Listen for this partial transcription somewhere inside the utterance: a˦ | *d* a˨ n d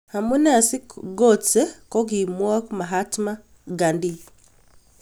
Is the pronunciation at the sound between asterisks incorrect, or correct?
incorrect